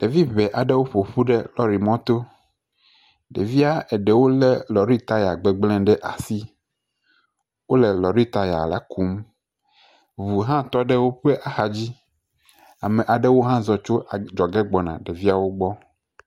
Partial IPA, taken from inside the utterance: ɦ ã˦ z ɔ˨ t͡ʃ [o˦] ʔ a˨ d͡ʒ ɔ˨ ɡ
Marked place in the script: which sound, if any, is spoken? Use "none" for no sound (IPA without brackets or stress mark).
o˦